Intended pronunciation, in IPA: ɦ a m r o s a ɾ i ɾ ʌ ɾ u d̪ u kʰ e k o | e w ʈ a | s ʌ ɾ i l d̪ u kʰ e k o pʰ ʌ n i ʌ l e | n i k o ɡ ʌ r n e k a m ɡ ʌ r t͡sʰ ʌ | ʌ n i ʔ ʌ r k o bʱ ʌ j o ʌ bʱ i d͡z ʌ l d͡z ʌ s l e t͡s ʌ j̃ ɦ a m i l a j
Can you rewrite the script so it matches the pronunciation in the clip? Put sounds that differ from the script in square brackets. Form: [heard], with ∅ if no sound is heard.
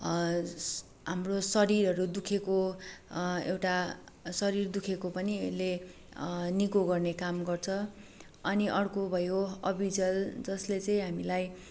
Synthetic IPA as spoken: ɦ a m r o s [ʌ] ɾ i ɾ ʌ ɾ u d̪ u kʰ e k o | e w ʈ a | s ʌ ɾ i [r] d̪ u kʰ e k o [p] ʌ n i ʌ l e | n i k o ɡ ʌ r n e k a m ɡ ʌ r t͡sʰ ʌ | ʌ n i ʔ ʌ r k o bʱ ʌ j o ʌ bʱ i d͡z ʌ l d͡z ʌ s l e t͡s ʌ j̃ ɦ a m i l a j